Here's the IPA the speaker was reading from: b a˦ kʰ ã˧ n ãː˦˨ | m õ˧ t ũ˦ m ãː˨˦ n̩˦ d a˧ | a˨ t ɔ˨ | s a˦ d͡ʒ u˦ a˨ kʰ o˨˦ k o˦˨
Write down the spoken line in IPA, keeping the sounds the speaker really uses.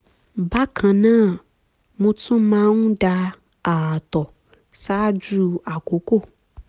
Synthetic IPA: b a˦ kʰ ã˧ n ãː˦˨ | m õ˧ t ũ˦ m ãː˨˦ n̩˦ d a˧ | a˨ t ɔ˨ | s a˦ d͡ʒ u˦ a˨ k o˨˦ k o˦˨